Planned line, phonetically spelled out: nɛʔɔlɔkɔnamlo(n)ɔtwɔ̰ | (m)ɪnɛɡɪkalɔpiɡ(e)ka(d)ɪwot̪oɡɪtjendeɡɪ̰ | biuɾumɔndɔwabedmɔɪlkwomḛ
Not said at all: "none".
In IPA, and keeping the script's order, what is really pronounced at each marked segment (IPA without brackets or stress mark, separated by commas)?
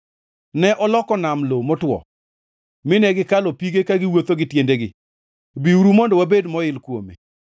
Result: m, m, e, ɡ